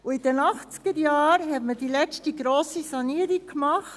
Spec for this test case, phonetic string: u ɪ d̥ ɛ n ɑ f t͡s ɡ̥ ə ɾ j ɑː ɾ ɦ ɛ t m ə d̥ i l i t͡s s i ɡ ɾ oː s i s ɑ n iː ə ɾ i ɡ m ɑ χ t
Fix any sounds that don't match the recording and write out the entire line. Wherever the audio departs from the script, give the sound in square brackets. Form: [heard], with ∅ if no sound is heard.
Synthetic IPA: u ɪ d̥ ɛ n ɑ [χ] t͡s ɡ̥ ə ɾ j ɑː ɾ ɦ ɛ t m ə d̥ i l [ɛ] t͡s [t] i ɡ ɾ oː s i s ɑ n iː ə ɾ i [k] m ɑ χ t